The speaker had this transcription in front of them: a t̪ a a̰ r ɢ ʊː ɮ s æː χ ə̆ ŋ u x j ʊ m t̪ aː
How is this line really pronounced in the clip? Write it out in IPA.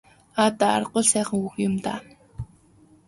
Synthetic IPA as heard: a t̪ a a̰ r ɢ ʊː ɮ s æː χ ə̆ ŋ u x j ʊ m t̪ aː